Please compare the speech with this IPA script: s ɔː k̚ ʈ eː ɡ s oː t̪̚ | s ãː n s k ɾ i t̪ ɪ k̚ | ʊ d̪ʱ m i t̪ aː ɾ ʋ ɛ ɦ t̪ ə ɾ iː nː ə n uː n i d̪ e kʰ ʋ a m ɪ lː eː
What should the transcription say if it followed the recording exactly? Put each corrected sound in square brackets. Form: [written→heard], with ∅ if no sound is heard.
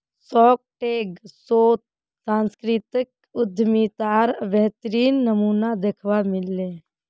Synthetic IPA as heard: s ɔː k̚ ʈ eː ɡ s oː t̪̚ | s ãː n s k ɾ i t̪ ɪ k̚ | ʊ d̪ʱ m i t̪ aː ɾ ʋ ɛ ɦ t̪ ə ɾ iː nː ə [n→m] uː n [i→a] d̪ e kʰ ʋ a m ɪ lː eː